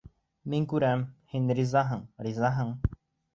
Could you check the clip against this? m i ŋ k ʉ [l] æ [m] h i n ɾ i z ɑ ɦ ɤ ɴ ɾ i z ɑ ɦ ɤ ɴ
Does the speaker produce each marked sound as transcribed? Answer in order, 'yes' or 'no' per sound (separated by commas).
no, yes